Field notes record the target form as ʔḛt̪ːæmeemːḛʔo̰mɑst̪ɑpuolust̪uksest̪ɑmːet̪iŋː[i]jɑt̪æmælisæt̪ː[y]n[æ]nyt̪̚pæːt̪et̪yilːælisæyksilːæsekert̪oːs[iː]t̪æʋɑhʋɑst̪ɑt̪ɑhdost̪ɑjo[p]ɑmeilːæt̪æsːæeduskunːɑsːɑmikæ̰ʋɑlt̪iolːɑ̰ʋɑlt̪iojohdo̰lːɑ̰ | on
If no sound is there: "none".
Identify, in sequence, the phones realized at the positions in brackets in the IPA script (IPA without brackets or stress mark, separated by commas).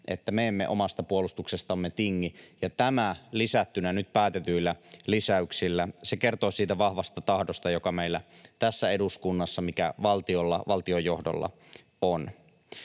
i, y, æ, iː, k